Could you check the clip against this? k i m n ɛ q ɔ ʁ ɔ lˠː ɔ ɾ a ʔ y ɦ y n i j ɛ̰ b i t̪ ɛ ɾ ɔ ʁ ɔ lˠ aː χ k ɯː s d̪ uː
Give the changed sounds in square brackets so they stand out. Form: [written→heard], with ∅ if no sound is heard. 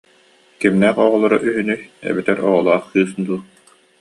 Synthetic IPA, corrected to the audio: k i m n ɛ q ɔ ʁ ɔ [lˠː→lˠ] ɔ ɾ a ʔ y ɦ y n [i→y] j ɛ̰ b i t̪ ɛ ɾ ɔ ʁ ɔ lˠ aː χ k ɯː s d̪ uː